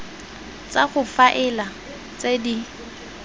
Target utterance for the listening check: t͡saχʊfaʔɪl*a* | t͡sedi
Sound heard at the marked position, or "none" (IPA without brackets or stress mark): a